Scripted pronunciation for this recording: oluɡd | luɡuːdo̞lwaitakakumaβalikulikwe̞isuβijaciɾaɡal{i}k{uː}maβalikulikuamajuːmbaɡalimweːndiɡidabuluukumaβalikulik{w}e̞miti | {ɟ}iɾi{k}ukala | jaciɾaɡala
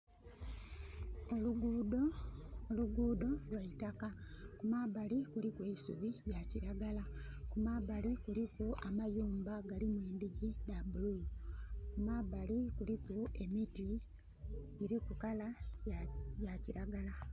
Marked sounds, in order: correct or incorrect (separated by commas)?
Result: incorrect, incorrect, incorrect, correct, correct